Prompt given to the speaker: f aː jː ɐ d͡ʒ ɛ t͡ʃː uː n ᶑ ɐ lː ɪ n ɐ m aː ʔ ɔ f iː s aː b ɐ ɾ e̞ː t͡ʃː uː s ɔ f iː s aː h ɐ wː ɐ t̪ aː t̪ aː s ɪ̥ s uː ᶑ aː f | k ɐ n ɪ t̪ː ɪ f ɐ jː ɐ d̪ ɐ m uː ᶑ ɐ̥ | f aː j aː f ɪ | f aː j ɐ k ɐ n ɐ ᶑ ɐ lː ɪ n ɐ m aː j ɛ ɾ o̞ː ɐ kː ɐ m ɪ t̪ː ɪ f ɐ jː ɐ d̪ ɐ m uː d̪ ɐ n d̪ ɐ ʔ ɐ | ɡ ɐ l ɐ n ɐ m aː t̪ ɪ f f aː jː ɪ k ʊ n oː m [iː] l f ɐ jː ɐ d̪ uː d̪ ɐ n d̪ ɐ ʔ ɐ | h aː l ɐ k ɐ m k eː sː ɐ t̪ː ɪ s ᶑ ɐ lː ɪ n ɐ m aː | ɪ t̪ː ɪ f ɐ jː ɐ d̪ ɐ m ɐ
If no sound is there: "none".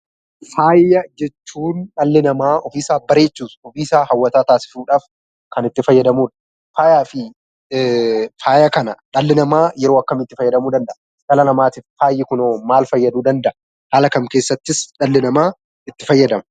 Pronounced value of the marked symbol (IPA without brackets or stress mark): aː